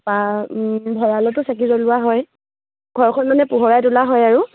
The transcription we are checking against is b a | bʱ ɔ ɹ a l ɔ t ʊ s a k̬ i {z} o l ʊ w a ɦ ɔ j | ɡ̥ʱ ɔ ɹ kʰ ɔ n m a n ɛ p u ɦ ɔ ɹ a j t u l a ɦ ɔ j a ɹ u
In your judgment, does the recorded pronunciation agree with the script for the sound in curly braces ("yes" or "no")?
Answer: yes